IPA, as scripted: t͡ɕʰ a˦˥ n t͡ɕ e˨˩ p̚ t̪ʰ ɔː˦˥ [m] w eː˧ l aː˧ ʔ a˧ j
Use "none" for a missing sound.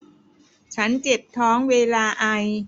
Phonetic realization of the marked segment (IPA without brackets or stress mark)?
ŋ